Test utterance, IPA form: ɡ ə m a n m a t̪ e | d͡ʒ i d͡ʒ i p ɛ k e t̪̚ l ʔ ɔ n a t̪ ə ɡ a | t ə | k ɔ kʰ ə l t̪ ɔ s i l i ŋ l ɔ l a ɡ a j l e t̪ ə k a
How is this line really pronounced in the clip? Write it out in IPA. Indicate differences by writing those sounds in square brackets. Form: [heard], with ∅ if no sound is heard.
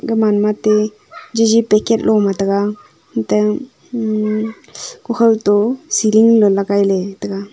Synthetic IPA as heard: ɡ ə m a n m a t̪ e | d͡ʒ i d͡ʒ i p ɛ k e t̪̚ l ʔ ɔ [m] a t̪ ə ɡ a | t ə | k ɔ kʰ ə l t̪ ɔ s i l i ŋ l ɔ l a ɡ a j l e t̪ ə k a

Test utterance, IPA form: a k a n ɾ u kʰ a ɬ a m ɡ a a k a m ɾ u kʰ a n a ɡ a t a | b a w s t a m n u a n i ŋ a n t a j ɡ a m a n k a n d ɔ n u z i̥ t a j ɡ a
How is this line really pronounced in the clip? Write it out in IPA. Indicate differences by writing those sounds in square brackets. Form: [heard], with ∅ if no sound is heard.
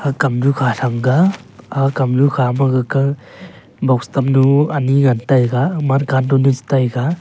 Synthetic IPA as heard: a k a [m] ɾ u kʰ a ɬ a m ɡ a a k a m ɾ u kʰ a [m] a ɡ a [k] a | b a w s t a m n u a n i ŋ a n t a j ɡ a m a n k a n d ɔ n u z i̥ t a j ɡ a

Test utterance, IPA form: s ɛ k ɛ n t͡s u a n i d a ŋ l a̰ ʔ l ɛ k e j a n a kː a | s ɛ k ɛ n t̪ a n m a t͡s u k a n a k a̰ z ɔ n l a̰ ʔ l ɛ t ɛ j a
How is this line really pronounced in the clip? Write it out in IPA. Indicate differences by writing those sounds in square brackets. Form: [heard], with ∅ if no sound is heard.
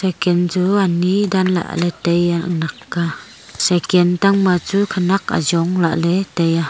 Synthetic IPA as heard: s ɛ k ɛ n t͡s u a n i d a [n] l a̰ ʔ l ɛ [t] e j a n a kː a | s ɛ k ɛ n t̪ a [ŋ] m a t͡s u [kʰ] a n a k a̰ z ɔ [ŋ] l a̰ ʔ l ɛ t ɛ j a

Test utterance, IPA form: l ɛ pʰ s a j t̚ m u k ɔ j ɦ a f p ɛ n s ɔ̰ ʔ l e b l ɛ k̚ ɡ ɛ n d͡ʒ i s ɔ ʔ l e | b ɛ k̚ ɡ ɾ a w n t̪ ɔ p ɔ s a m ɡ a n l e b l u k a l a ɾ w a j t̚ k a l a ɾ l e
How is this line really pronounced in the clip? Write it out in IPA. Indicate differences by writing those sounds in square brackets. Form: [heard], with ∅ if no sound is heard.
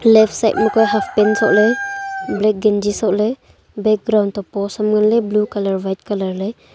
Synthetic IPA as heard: l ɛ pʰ s a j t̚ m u k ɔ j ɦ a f p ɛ n s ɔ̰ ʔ l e b l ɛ k̚ ɡ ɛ n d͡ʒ i s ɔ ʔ l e | b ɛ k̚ ɡ ɾ a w n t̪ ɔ p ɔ s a m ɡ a n l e b l u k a l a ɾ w a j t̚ k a l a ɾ l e

